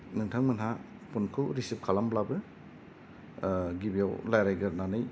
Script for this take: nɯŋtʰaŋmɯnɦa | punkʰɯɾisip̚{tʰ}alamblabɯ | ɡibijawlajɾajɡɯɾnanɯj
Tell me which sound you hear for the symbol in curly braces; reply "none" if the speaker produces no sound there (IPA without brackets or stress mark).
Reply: kʰ